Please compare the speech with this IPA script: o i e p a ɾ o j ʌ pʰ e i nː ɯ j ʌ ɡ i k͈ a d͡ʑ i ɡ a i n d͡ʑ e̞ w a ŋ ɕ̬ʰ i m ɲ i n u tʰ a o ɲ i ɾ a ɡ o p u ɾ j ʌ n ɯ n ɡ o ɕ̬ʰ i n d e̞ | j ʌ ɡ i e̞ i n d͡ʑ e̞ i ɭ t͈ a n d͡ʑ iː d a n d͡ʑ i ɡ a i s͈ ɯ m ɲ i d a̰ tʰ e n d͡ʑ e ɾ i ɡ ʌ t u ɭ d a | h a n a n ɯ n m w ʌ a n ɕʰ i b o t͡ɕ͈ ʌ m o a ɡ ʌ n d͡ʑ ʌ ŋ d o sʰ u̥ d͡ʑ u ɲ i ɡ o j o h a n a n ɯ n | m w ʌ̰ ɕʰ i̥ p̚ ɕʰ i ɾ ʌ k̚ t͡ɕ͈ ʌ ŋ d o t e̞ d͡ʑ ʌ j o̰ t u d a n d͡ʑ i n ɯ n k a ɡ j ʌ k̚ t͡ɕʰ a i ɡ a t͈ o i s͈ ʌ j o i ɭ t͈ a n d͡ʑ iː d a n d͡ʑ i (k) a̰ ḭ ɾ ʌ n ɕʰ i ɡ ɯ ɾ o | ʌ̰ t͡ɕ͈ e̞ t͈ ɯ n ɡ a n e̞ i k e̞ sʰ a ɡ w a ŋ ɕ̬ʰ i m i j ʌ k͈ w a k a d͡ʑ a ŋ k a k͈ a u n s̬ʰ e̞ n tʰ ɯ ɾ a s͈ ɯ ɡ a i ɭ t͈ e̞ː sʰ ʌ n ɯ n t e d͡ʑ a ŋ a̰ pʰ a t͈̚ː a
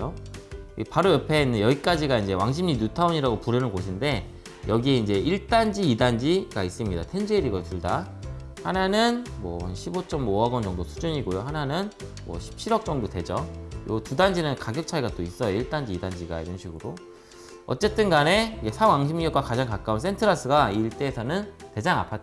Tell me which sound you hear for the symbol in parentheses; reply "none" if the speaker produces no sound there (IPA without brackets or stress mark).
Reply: ɡ